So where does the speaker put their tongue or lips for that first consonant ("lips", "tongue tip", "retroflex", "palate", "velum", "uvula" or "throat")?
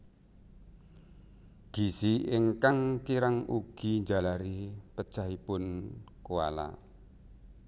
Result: velum